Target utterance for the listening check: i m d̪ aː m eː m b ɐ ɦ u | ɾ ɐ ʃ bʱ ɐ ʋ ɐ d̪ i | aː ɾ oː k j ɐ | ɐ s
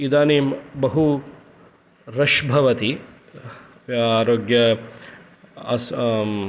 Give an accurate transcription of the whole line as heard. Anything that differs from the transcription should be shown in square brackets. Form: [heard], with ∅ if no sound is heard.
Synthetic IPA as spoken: i [∅] d̪ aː [n] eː m b ɐ ɦ u | ɾ ɐ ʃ bʱ ɐ ʋ ɐ [t̪] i | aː ɾ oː [ɡ] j ɐ | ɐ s

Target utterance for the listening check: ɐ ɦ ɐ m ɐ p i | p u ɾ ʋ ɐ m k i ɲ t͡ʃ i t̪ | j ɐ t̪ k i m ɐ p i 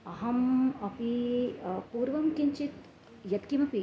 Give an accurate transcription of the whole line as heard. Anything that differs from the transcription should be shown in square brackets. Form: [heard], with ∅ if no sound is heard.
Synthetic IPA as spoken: ɐ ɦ ɐ m ɐ p i | p [uː] ɾ ʋ ɐ m k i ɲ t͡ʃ i t̪ | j ɐ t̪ k i m ɐ p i

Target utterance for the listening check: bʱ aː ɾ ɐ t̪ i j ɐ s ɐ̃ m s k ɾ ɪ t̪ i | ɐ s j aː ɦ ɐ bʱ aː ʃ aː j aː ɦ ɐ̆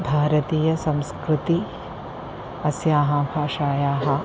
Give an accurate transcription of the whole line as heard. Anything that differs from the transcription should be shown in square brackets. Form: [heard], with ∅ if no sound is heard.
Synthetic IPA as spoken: bʱ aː ɾ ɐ t̪ [iː] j ɐ s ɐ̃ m s k ɾ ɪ t̪ i | ɐ s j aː ɦ ɐ bʱ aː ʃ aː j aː ɦ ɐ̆

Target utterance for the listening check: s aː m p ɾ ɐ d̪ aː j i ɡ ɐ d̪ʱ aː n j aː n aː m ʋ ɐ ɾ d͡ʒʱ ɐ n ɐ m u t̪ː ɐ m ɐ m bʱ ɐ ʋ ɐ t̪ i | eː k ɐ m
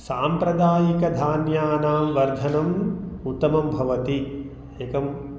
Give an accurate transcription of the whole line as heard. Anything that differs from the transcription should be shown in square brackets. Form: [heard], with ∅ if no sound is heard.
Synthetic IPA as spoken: s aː m p ɾ ɐ d̪ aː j i [k] ɐ d̪ʱ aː n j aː n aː m ʋ ɐ ɾ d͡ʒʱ ɐ n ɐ m u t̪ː ɐ m ɐ m bʱ ɐ ʋ ɐ t̪ i | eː k ɐ m

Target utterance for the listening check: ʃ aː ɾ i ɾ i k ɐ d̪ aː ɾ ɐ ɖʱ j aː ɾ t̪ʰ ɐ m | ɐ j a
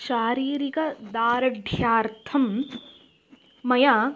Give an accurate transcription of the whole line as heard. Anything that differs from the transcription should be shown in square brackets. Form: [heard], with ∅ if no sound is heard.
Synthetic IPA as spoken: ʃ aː ɾ [iː] ɾ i k ɐ d̪ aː ɾ ɐ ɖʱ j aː ɾ t̪ʰ ɐ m | ɐ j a

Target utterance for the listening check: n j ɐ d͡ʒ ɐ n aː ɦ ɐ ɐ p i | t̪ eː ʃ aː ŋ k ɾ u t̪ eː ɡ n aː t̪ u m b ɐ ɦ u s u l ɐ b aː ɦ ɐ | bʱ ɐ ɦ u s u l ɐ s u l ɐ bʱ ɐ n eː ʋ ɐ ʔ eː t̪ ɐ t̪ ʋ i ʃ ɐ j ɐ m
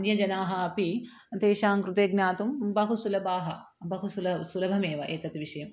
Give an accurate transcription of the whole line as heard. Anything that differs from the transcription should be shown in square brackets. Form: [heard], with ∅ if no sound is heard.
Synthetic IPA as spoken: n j ɐ d͡ʒ ɐ n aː ɦ ɐ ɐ p i | t̪ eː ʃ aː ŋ k ɾ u t̪ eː ɡ n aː t̪ u m b ɐ ɦ u s u l ɐ b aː ɦ ɐ | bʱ ɐ ɦ u s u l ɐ s u l ɐ bʱ ɐ [m] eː ʋ ɐ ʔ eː t̪ ɐ t̪ ʋ i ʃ ɐ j ɐ m

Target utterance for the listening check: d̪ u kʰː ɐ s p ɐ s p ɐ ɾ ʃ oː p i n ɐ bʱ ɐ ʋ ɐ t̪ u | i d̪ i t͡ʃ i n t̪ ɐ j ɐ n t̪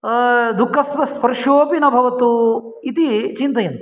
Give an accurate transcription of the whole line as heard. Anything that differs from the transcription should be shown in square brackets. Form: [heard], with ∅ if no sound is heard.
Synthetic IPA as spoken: d̪ u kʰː ɐ s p ɐ s p ɐ ɾ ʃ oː p i n ɐ bʱ ɐ ʋ ɐ t̪ u | i [t̪] i t͡ʃ i n t̪ ɐ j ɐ n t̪

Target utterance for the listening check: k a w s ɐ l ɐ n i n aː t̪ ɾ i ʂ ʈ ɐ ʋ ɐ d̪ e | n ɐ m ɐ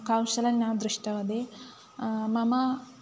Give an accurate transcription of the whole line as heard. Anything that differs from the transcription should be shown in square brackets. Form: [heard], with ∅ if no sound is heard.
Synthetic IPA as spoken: k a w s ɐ l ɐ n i n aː [d̪] ɾ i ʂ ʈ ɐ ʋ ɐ d̪ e | [m] ɐ m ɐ

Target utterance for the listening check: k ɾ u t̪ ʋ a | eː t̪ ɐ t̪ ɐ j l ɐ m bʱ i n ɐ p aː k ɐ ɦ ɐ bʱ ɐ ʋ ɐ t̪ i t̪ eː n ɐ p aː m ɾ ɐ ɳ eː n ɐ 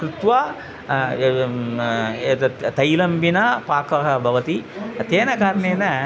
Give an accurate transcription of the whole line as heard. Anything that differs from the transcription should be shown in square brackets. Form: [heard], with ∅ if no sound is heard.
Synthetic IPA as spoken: k ɾ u t̪ ʋ a | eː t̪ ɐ t̪ ɐ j l ɐ m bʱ i n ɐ p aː k ɐ ɦ ɐ bʱ ɐ ʋ ɐ t̪ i t̪ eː n ɐ [k] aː [∅] ɾ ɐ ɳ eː n ɐ

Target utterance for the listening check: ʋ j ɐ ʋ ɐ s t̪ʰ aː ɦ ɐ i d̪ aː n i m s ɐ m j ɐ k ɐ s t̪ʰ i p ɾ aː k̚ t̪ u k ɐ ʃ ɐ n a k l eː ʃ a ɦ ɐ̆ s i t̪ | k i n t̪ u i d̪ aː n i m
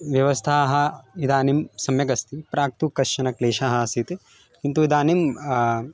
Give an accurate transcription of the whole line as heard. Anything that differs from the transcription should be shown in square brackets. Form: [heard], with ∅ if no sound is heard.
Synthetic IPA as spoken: ʋ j ɐ ʋ ɐ s t̪ʰ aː ɦ ɐ i d̪ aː n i m s ɐ m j ɐ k ɐ s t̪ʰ i p ɾ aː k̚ t̪ u k ɐ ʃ ɐ n [ɐ] k l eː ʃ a ɦ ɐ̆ s i t̪ | k i n t̪ u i d̪ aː n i m

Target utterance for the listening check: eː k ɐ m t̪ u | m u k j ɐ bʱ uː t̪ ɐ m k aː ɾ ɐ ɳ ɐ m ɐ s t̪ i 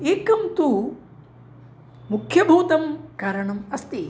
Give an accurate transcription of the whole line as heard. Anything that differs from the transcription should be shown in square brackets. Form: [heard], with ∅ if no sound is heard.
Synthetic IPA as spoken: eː k ɐ m t̪ u | m u [kʰ] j ɐ bʱ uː t̪ ɐ m k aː ɾ ɐ ɳ ɐ m ɐ s t̪ i

